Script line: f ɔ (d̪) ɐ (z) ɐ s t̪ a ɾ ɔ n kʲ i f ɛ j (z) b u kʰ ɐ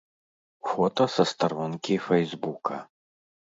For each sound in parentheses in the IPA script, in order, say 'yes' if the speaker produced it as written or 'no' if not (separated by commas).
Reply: no, no, yes